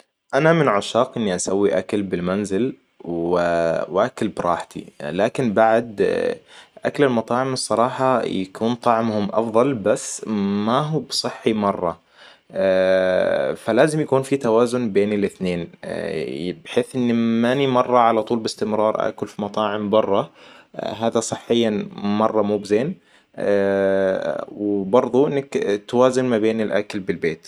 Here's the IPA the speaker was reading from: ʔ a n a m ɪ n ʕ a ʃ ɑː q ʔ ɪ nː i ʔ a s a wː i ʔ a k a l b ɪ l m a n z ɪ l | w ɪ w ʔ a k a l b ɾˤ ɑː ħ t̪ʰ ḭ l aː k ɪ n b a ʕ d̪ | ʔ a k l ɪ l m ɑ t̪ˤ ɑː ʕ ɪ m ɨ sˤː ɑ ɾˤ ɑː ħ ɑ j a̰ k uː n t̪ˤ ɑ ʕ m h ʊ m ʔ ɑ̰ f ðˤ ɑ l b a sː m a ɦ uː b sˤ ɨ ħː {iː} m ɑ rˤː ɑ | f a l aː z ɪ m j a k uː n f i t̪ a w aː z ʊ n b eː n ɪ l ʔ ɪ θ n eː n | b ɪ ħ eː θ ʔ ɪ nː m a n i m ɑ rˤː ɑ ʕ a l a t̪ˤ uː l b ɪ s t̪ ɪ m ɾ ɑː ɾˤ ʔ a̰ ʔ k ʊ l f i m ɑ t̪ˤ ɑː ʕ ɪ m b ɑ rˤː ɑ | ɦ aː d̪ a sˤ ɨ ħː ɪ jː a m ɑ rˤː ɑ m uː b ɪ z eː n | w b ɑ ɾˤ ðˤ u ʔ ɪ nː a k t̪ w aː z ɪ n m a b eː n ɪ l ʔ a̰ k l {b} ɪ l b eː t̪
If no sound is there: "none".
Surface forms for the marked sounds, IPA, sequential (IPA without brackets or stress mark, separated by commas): i, b